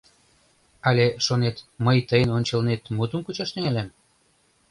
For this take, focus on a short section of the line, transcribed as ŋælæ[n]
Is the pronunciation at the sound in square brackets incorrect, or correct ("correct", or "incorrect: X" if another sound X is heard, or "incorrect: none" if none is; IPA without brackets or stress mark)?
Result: incorrect: m